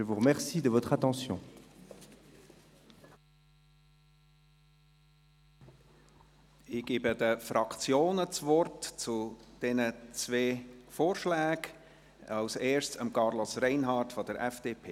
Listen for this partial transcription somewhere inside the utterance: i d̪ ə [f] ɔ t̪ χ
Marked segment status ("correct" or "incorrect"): incorrect